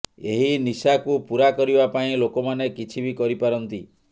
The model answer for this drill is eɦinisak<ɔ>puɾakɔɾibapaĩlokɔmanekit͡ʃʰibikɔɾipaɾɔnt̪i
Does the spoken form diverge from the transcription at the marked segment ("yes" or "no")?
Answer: yes